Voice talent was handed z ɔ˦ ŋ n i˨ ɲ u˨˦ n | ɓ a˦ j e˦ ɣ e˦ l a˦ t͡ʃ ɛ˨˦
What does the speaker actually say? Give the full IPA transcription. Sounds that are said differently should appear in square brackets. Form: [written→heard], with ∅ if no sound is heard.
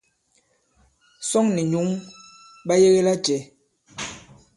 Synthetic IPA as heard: [z→s] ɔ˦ ŋ n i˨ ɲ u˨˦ [n→ŋ] | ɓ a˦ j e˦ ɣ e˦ l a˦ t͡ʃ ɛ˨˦